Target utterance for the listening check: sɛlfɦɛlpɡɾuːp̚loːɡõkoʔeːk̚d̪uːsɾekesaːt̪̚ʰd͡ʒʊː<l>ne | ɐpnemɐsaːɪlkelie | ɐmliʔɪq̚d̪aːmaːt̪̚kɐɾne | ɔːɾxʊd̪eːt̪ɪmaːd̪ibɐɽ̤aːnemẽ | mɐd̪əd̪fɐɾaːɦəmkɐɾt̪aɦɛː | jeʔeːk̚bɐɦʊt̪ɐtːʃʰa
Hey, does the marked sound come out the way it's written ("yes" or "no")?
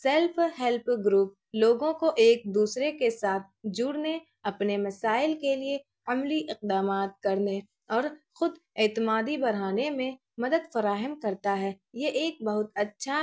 no